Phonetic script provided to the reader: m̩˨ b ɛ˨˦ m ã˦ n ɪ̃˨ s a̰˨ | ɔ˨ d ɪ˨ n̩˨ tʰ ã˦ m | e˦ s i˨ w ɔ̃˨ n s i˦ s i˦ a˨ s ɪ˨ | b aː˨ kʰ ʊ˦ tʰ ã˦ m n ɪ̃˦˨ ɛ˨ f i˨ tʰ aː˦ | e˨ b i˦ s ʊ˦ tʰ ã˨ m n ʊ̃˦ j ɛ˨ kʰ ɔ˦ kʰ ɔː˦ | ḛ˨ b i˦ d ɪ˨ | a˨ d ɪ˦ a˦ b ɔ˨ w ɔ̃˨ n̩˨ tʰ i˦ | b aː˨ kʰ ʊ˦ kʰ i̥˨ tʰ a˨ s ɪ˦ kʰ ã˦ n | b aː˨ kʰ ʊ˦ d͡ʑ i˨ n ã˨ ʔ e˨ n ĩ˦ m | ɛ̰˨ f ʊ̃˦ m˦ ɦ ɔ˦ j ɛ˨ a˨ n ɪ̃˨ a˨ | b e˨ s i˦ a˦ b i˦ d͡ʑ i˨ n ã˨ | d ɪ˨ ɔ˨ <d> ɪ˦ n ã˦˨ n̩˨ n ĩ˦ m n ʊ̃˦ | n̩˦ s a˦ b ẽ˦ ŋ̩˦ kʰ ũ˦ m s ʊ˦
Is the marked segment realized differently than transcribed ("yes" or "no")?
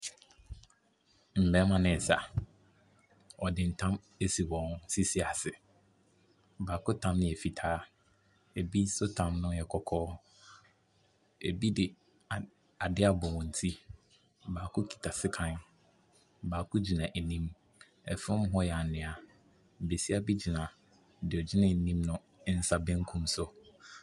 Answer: yes